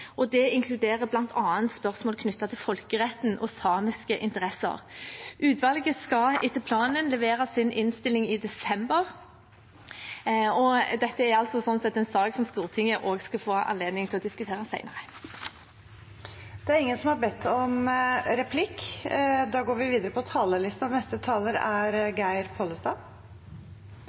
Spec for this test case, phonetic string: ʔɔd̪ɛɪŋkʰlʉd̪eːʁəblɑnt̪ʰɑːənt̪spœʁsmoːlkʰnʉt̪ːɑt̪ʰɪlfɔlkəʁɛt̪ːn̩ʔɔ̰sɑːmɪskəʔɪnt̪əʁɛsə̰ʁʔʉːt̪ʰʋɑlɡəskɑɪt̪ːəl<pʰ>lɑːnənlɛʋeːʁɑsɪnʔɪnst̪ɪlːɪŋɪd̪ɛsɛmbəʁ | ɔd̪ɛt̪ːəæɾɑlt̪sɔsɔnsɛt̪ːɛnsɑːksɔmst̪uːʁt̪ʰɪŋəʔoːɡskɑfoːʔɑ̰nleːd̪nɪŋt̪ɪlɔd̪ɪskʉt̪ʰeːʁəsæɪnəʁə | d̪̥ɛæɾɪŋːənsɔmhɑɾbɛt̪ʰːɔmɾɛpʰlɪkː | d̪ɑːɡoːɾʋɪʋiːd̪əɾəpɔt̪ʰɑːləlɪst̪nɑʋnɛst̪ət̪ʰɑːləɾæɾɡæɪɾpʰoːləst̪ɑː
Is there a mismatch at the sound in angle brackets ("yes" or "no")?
no